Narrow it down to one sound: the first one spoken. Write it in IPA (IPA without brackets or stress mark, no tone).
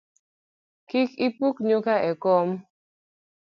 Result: k